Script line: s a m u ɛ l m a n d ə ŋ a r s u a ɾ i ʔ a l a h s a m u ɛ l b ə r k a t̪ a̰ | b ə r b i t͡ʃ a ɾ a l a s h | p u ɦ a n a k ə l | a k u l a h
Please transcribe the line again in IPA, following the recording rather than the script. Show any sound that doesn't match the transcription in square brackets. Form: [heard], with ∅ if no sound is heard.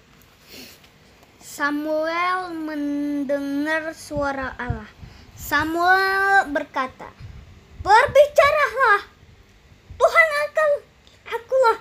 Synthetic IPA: s a m u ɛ l m [ə] n d ə ŋ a r s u a ɾ [a] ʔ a l a h s a m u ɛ l b ə r k a t̪ a̰ | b ə r b i t͡ʃ a ɾ a l a [∅] h | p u ɦ a n a k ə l | a k u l a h